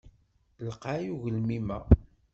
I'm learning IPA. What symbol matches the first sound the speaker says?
l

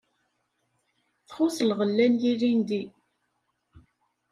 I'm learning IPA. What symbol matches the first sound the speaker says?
θ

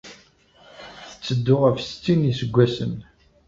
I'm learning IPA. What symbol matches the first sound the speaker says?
θ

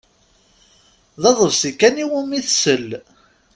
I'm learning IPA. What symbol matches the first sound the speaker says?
ð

